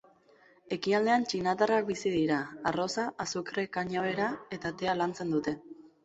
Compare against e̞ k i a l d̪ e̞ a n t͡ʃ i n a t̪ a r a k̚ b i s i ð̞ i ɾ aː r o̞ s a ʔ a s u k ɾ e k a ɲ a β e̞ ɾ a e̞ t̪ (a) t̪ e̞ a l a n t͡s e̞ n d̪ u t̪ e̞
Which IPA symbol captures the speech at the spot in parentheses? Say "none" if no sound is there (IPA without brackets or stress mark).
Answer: a